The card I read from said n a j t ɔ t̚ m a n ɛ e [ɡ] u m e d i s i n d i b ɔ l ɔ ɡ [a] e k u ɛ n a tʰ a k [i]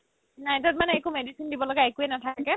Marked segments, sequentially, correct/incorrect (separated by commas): incorrect, correct, incorrect